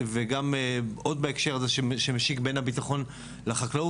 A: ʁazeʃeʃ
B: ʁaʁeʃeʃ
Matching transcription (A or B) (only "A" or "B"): A